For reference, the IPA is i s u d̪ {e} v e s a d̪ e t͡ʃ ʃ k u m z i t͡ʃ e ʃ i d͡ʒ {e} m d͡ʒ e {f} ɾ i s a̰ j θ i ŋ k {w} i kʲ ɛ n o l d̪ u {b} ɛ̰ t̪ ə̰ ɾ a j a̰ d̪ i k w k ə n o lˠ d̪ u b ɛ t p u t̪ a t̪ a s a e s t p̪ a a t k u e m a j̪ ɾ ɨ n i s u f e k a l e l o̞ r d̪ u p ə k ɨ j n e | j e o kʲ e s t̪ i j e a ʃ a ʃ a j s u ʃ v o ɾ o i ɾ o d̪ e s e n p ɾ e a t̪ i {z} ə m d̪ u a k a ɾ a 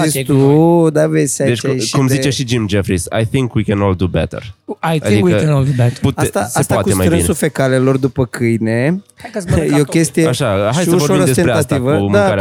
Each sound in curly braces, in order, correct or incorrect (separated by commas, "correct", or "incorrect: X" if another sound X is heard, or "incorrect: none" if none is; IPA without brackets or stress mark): incorrect: a, incorrect: i, correct, correct, correct, incorrect: v